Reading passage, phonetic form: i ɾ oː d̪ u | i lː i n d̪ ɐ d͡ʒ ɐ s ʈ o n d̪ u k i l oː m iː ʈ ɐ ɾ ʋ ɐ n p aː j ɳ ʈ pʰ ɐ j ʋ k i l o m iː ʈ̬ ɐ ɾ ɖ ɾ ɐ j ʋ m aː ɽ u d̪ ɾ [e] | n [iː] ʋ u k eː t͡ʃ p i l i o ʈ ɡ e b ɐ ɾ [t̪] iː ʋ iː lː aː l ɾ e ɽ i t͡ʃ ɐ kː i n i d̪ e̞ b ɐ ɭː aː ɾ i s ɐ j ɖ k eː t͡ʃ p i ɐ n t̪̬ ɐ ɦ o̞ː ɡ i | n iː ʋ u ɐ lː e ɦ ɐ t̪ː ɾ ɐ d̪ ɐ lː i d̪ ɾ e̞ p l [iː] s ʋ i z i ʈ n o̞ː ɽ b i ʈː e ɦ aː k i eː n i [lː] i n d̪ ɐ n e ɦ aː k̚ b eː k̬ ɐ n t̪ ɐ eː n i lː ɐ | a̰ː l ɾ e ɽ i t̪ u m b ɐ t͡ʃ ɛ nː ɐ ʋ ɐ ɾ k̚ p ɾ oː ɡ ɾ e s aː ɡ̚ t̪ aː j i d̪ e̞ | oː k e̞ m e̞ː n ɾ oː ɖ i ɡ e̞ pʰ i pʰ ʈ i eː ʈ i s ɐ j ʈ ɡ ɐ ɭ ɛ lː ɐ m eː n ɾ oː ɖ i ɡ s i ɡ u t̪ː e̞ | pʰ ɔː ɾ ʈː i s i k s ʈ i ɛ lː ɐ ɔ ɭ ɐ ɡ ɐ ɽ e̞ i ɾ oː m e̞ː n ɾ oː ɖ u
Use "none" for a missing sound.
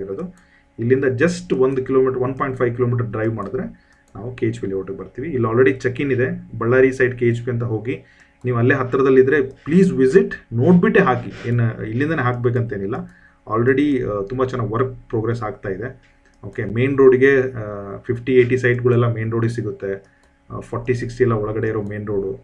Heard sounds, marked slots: e, aː, t̪, iː, lː

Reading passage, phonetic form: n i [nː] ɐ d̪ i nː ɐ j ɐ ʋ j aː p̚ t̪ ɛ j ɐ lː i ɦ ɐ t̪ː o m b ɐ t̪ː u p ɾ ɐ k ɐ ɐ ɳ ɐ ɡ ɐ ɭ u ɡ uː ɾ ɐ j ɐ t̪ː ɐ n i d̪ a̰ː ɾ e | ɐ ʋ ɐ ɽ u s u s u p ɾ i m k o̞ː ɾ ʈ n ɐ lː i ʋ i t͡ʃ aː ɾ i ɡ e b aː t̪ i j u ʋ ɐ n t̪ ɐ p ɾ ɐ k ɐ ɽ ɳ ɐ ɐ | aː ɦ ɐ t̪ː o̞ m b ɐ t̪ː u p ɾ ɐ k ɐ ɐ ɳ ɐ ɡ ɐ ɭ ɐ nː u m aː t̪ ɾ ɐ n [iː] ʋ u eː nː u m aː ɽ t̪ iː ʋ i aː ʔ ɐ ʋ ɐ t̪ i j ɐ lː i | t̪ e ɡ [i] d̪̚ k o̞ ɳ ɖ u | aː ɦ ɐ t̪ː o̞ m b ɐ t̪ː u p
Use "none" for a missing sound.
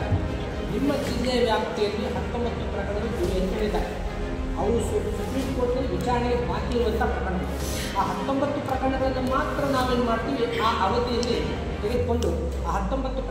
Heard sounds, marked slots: mː, aː, e

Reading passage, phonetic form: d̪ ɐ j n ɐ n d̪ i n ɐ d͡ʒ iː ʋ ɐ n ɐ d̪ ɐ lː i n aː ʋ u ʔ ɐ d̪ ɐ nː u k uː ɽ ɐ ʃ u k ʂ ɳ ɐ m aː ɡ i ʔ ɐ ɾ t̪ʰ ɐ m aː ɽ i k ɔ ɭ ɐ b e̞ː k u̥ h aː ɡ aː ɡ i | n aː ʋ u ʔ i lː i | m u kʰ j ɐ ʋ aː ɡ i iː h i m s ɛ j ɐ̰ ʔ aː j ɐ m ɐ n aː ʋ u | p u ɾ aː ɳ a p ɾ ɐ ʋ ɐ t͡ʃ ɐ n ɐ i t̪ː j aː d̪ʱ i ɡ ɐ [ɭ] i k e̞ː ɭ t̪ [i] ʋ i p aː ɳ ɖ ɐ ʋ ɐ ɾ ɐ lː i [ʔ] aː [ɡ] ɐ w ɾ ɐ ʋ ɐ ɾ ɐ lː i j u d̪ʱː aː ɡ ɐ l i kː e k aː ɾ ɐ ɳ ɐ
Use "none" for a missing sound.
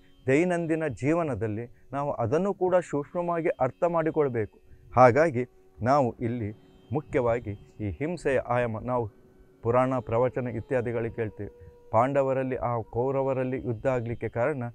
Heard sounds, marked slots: ɭ, iː, ʔ, k

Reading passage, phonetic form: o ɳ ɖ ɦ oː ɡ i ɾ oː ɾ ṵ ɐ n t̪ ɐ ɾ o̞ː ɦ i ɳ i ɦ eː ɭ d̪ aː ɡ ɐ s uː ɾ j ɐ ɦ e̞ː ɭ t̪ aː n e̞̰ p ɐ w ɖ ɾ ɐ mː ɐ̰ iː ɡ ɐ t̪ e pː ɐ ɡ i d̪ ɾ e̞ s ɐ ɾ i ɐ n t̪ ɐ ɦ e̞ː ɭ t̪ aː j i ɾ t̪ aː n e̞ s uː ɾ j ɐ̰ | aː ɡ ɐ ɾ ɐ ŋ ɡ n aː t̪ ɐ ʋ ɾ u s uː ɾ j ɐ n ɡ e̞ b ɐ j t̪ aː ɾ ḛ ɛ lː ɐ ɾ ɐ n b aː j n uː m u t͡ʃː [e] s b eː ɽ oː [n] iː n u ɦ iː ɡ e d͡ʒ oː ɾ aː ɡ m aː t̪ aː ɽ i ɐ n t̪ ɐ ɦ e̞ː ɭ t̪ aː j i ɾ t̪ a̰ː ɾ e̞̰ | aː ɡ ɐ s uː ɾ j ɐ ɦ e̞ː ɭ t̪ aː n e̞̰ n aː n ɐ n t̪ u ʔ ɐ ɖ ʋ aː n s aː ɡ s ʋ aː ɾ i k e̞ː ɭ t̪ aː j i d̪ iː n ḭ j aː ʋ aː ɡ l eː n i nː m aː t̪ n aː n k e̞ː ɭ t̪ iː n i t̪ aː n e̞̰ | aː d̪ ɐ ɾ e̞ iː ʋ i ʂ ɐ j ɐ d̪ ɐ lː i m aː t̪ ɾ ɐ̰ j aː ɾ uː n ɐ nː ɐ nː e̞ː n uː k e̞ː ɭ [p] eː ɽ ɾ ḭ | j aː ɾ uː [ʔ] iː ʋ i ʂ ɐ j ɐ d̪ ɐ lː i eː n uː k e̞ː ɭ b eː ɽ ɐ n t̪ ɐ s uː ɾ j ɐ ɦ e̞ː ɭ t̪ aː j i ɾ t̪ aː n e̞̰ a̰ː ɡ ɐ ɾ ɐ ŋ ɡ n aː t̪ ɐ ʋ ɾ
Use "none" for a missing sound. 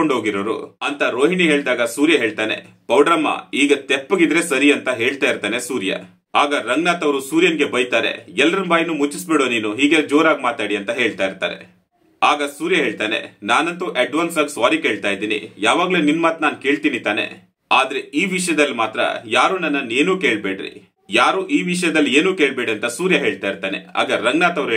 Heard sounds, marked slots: i, n, b, ʔ

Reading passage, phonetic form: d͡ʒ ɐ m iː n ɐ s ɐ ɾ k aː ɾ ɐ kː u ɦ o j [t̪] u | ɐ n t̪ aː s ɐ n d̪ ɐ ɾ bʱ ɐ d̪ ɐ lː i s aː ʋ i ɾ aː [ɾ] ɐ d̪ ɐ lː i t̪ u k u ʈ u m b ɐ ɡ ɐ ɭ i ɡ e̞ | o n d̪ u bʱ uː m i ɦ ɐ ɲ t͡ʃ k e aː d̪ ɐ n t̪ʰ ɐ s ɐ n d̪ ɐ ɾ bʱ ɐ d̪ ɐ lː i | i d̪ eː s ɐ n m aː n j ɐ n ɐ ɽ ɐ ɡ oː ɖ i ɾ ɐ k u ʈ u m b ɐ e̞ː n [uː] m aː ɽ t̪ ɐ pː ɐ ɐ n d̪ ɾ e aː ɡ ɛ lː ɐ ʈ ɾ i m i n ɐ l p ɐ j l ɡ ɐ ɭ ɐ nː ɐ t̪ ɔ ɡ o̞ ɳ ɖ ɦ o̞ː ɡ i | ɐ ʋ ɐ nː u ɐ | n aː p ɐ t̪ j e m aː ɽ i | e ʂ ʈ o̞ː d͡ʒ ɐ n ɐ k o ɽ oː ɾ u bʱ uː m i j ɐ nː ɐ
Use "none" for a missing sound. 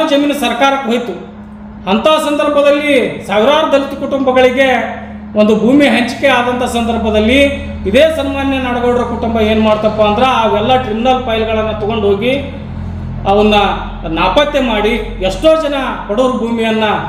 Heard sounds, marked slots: t̪, ɾ, u

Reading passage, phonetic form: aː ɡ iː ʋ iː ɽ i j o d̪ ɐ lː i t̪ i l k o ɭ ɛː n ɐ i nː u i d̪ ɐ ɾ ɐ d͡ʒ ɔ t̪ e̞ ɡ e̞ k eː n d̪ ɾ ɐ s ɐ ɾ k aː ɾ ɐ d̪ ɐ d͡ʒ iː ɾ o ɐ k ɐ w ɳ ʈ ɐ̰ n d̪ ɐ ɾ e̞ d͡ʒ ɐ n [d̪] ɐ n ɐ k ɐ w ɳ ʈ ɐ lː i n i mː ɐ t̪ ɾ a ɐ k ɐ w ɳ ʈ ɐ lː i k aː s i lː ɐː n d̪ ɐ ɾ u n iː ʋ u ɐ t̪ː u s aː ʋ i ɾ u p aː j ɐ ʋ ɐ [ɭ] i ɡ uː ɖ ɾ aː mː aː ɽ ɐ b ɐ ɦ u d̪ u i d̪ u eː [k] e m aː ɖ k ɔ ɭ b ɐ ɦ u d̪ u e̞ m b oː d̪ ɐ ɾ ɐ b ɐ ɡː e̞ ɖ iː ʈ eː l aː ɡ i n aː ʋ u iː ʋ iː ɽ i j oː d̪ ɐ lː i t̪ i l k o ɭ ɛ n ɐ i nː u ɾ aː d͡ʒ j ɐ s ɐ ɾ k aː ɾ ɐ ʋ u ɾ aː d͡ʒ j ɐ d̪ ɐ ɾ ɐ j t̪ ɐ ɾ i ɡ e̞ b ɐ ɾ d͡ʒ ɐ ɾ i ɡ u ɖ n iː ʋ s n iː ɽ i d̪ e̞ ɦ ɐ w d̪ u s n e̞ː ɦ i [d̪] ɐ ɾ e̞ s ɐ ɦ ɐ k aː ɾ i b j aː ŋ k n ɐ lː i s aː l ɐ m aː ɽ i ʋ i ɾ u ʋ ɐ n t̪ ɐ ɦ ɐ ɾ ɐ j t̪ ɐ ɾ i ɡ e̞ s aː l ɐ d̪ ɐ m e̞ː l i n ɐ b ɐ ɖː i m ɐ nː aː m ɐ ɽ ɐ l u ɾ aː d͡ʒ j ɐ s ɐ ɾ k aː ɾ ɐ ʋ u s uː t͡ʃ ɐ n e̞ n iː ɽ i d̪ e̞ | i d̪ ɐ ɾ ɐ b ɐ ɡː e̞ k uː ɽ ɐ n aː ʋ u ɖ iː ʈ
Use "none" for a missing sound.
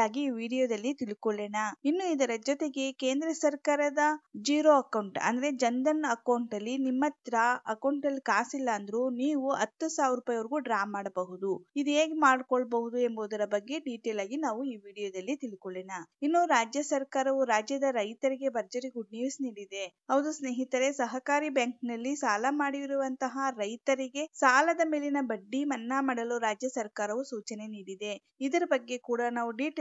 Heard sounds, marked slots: d̪, ɾ, ɡ, t̪

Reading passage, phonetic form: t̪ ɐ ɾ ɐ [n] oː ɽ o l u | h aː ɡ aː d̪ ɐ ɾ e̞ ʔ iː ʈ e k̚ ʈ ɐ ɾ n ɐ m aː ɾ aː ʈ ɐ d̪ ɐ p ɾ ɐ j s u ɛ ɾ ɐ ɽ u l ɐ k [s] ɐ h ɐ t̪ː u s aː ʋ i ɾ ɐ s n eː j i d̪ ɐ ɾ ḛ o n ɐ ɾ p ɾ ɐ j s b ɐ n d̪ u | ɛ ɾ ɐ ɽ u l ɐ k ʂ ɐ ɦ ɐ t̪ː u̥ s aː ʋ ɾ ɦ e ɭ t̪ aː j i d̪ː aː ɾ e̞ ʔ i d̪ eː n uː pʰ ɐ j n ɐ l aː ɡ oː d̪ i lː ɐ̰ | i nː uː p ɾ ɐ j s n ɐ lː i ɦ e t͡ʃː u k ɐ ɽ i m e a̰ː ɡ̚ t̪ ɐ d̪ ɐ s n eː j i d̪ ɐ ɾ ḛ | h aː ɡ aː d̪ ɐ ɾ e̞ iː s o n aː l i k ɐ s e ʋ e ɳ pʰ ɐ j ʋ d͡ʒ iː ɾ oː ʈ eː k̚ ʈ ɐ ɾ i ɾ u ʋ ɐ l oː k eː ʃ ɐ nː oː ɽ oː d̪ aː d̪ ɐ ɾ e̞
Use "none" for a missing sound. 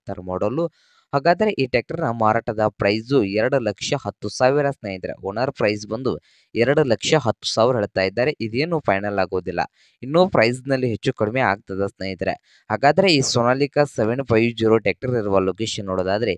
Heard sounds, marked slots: m, ʂ

